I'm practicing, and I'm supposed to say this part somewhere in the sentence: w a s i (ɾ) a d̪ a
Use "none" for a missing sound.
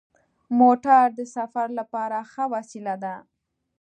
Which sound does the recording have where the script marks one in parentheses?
l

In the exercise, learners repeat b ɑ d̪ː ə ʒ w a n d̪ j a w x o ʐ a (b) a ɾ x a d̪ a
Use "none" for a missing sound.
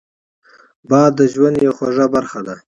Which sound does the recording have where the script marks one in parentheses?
b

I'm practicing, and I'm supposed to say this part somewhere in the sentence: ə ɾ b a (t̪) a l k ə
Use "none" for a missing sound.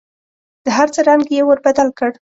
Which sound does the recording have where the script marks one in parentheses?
d̪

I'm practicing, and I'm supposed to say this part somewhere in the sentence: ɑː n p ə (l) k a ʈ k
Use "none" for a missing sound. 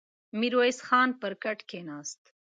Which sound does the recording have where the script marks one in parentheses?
ɾ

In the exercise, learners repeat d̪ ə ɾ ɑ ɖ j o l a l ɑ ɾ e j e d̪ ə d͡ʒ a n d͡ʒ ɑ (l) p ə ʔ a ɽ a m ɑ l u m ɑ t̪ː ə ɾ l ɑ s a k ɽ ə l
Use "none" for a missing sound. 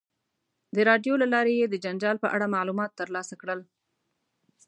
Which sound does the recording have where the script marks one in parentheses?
l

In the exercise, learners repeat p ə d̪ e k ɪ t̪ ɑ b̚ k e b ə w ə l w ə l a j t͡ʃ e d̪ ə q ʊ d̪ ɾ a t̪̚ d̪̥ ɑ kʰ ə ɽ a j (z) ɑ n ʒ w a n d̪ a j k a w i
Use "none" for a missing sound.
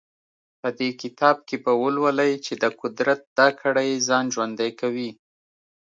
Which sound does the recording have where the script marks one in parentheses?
z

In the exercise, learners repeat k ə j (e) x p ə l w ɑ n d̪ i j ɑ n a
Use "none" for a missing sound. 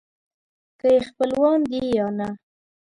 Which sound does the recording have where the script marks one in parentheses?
e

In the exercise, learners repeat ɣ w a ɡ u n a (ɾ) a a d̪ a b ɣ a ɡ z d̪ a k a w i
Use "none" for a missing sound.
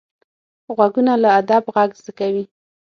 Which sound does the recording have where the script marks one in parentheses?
l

